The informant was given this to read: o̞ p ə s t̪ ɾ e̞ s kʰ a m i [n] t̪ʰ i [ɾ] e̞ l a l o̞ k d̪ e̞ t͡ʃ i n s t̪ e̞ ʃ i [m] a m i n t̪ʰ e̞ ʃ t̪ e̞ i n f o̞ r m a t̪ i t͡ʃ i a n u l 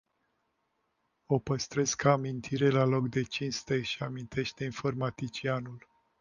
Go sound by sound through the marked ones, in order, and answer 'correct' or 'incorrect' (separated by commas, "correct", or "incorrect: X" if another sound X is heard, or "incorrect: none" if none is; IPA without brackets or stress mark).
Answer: correct, correct, incorrect: none